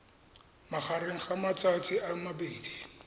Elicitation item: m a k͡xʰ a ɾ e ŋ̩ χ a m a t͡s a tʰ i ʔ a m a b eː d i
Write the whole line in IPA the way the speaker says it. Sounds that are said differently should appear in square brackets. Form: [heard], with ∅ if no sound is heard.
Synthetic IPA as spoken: m a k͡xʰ a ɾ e ŋ̩ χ a m a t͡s a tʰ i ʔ a m a b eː d i